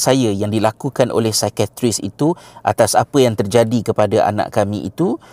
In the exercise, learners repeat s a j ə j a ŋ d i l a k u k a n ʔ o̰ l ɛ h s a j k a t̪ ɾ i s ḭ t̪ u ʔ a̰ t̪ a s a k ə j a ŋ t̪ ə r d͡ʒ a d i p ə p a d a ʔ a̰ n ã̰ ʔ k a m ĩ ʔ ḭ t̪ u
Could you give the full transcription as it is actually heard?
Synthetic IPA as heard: s a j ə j a ŋ d i l a k u k a n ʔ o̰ l ɛ h s a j k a t̪ ɾ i s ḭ t̪ u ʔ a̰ t̪ a s a p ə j a ŋ t̪ ə r d͡ʒ a d i k ə p a d a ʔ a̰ n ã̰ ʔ k a m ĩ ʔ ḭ t̪ u